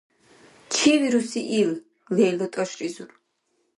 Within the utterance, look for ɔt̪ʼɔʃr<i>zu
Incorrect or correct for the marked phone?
correct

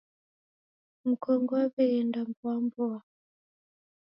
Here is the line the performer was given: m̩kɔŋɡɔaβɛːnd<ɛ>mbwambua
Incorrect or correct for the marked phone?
incorrect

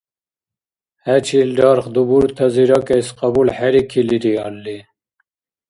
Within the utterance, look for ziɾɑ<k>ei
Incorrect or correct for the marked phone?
correct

